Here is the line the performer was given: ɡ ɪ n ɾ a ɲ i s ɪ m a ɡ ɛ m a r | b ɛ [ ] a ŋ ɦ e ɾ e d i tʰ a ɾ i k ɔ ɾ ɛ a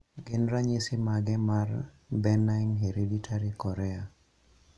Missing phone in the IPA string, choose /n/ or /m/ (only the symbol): n